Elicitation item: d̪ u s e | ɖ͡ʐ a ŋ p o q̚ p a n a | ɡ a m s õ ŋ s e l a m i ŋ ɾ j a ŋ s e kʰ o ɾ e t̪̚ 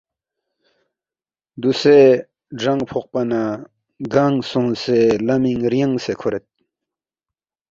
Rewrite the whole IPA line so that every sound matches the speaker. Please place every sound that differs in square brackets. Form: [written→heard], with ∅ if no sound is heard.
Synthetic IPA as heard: d̪ u s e | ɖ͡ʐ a ŋ [p→pʰ] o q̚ p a n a | ɡ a [m→ŋ] s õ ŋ s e l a m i ŋ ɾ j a ŋ s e kʰ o ɾ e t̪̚